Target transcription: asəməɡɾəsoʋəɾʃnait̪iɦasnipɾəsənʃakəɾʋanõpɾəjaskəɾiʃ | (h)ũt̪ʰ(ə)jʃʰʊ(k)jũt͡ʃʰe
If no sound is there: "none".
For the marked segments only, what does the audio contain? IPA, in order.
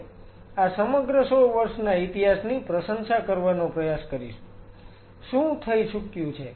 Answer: ʃ, ə, k

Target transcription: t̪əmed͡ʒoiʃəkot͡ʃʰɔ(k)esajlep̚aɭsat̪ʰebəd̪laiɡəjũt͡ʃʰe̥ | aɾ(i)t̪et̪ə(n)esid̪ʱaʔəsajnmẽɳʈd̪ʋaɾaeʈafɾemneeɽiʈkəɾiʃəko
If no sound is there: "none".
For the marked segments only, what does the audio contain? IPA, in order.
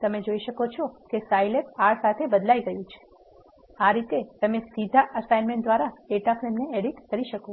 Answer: k, i, m

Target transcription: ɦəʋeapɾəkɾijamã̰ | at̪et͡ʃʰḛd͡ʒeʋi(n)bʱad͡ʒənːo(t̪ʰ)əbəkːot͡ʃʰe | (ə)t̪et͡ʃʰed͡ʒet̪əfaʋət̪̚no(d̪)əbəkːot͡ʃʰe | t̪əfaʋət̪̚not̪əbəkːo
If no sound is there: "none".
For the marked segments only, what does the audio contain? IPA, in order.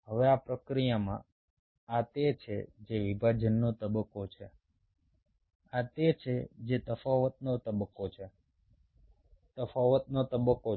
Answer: none, t̪, a, t̪

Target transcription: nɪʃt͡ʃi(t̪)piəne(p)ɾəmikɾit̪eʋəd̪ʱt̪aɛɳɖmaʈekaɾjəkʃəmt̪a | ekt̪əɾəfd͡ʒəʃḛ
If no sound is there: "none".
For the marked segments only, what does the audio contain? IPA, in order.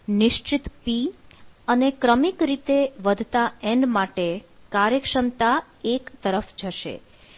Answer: t̪, k

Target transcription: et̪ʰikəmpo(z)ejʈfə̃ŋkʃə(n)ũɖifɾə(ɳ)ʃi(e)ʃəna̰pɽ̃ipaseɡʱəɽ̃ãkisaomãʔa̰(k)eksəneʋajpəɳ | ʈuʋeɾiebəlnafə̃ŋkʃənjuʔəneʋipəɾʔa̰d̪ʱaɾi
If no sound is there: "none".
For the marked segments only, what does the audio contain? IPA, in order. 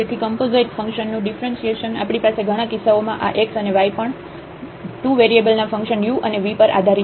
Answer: z, nː, n, e, ʔ

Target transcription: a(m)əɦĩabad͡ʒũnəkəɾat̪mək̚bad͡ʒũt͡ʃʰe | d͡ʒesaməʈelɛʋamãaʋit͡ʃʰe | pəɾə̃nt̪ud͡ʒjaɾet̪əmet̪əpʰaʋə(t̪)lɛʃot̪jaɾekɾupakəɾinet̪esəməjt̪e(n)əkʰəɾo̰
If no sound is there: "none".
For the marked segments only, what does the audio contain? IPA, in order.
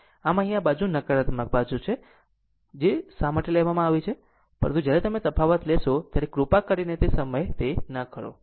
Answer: m, t̪, n

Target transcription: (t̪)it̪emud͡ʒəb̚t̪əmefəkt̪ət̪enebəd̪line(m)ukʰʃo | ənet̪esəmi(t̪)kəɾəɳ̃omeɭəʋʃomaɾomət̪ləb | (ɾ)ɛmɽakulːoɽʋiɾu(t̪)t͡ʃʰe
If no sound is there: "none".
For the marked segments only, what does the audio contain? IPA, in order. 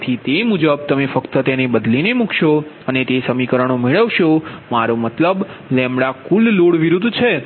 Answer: t̪ʰ, m, none, l, d̪

